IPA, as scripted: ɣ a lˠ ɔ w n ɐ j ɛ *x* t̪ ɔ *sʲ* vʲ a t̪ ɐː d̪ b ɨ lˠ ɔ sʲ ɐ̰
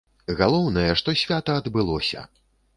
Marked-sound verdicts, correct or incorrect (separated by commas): incorrect, correct